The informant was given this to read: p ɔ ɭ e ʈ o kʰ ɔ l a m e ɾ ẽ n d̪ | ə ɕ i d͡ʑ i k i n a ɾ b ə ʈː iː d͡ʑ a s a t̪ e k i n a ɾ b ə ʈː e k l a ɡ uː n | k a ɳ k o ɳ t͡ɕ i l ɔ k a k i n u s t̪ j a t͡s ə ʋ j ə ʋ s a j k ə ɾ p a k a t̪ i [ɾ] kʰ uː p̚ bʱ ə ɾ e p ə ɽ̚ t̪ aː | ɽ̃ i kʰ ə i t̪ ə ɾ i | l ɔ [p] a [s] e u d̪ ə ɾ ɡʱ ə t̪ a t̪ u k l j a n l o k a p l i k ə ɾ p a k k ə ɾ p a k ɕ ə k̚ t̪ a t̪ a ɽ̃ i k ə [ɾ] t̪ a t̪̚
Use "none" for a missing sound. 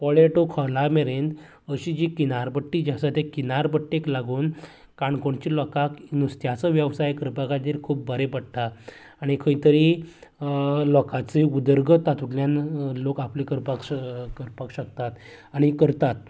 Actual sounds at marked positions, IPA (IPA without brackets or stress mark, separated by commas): ɾ, k, t͡s, ɾ